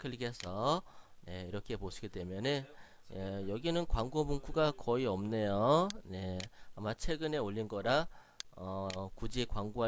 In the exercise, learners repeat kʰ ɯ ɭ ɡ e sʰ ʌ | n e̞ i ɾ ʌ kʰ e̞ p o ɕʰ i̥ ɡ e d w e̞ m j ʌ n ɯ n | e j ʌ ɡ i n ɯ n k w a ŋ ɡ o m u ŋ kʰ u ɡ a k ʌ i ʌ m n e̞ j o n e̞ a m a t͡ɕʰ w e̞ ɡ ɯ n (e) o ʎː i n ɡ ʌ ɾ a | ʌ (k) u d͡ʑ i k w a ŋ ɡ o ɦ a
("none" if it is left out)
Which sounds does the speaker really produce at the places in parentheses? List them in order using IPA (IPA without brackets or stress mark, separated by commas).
e, k